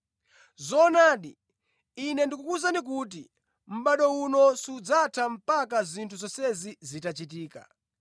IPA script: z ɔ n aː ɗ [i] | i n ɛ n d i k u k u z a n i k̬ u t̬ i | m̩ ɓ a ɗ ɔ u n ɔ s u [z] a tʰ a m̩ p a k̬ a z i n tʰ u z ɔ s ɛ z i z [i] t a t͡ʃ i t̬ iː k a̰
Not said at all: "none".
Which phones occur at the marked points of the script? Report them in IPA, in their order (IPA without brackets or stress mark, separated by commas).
i, d͡z, i